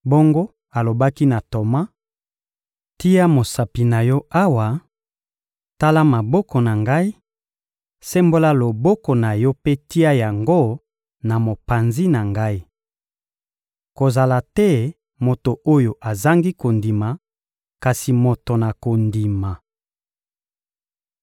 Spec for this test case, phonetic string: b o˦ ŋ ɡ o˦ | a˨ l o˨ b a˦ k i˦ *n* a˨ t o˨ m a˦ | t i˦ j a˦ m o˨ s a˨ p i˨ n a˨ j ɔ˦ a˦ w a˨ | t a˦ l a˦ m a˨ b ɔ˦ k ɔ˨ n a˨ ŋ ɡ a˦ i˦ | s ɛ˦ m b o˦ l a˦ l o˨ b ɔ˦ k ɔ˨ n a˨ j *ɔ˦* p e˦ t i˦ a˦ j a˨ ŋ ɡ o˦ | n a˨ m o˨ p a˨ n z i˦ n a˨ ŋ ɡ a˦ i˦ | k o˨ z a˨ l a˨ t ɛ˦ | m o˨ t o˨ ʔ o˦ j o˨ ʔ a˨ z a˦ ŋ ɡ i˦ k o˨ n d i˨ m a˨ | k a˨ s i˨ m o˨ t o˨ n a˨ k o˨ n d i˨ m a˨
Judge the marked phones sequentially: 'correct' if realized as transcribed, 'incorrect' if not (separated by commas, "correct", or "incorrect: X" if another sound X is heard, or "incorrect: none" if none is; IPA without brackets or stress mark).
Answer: correct, correct